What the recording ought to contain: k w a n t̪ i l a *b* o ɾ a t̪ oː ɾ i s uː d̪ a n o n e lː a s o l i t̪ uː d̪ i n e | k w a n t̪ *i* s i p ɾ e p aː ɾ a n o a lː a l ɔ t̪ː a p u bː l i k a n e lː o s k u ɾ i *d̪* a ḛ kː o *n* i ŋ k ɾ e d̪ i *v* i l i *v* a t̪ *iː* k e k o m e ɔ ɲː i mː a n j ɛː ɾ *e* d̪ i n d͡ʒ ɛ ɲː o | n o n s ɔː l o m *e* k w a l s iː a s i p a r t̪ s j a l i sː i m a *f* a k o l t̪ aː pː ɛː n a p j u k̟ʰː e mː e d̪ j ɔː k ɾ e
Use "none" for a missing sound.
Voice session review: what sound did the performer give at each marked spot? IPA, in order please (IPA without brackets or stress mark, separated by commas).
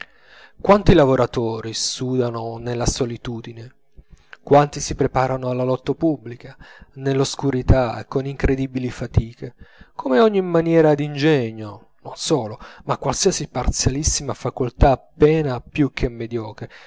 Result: v, i, t̪, n, b, f, iː, a, a, f